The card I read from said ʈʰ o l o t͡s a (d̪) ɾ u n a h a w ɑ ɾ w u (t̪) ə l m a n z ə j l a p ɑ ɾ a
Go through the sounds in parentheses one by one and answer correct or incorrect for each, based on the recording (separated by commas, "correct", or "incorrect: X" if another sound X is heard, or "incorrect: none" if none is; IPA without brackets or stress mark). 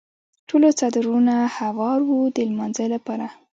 correct, incorrect: d̪